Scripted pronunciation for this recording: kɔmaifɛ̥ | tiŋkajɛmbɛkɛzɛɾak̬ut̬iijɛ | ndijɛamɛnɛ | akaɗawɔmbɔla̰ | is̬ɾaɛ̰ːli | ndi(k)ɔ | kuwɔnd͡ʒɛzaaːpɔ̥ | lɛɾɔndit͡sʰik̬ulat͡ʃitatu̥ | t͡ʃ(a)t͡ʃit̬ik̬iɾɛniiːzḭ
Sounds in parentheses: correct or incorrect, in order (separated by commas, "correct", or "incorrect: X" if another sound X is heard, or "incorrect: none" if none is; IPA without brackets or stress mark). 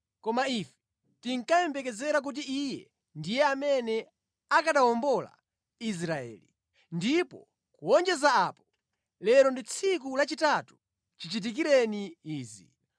incorrect: p, incorrect: i